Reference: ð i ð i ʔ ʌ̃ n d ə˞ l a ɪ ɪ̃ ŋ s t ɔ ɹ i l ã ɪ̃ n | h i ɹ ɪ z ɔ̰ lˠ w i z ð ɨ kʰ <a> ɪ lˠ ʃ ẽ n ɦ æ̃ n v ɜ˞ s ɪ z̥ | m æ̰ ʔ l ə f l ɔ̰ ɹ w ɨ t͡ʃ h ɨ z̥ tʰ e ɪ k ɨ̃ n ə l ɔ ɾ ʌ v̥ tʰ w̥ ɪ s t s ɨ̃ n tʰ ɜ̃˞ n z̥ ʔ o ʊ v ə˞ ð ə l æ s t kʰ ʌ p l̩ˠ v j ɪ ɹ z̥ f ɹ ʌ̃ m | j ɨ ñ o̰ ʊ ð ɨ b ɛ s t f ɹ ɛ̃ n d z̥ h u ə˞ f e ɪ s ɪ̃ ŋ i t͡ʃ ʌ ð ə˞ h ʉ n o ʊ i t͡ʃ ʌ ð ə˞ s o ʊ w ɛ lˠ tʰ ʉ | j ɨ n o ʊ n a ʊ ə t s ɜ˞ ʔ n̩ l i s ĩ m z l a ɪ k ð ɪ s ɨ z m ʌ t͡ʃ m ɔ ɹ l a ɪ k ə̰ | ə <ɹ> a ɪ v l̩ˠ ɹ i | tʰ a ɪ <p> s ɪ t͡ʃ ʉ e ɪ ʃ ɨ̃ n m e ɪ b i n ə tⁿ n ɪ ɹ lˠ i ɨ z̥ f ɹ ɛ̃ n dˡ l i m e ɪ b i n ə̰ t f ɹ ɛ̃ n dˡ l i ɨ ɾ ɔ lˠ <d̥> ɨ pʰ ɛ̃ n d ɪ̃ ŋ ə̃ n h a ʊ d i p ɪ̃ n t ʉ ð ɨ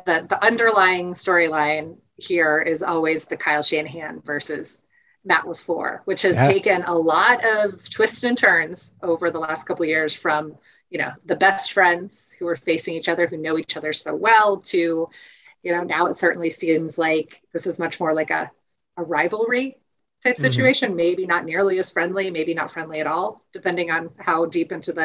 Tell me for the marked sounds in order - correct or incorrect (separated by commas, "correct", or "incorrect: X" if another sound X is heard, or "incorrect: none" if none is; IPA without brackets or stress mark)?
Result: correct, correct, correct, correct